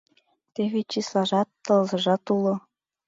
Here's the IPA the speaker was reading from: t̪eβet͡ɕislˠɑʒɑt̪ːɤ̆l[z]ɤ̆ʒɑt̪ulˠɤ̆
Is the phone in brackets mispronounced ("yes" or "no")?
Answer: no